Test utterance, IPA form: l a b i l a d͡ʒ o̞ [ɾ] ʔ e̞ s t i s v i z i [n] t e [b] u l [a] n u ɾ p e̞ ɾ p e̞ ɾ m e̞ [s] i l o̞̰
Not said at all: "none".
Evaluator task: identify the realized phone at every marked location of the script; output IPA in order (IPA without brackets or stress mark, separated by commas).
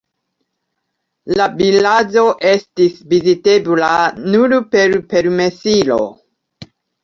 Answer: none, none, b, a, s